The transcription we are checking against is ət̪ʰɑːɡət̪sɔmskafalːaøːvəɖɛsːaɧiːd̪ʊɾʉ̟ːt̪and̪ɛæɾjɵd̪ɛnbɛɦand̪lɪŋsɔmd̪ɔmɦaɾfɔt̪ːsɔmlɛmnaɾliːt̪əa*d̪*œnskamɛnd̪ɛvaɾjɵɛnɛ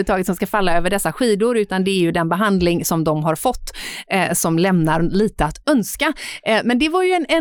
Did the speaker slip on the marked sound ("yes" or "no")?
yes